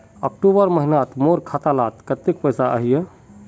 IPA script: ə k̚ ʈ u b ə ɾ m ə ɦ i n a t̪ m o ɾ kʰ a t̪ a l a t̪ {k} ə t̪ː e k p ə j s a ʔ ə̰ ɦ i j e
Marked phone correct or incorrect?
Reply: correct